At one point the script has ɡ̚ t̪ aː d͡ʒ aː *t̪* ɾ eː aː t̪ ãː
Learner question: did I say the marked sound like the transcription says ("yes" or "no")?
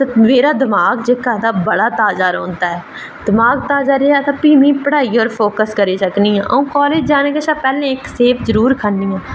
no